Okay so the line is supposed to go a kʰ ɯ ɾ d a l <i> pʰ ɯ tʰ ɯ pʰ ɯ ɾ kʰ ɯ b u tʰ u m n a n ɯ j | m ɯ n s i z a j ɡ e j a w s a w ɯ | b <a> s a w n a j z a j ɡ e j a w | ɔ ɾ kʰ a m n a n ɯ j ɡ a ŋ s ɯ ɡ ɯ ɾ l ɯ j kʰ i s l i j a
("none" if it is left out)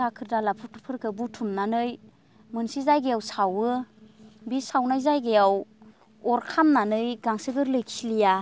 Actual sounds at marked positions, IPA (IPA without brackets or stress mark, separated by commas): a, i